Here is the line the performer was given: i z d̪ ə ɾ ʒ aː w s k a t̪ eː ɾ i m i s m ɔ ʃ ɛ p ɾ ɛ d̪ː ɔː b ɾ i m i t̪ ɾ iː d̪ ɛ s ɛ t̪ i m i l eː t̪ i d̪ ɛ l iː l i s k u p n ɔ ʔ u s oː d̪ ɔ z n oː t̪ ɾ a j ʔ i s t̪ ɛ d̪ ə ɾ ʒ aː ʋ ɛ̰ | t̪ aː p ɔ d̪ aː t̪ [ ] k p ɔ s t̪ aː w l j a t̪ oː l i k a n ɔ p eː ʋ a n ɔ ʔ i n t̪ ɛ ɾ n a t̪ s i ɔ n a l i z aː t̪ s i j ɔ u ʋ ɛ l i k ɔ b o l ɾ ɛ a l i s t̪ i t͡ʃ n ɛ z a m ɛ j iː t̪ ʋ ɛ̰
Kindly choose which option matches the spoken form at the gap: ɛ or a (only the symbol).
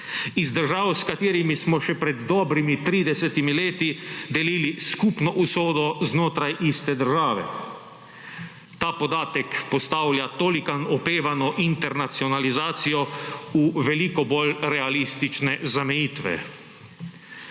ɛ